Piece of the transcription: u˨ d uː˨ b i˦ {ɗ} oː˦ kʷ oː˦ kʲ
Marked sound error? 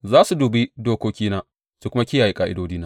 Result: yes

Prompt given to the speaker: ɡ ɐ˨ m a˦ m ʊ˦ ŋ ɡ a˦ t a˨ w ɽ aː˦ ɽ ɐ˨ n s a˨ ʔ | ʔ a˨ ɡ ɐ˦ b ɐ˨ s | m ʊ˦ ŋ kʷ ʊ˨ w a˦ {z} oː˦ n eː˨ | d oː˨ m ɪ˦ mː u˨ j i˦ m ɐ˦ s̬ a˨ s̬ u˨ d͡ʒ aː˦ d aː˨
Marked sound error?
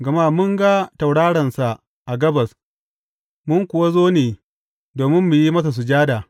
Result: no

